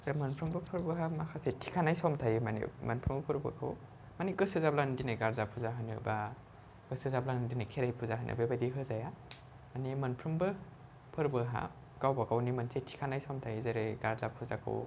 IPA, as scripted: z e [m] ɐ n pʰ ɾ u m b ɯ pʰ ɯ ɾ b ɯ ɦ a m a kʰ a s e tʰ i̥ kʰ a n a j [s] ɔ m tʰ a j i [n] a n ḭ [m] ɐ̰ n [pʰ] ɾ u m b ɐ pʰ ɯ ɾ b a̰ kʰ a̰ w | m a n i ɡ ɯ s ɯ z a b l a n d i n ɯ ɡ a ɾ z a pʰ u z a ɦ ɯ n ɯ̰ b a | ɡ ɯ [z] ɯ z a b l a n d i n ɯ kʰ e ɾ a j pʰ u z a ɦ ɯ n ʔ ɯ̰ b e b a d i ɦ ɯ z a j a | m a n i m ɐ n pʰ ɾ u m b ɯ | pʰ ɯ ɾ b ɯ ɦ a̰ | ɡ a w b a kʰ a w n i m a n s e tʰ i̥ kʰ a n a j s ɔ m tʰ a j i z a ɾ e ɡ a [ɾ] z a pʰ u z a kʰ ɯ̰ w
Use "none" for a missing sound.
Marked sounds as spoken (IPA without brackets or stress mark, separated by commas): m, s, m, m, pʰ, s, ɾ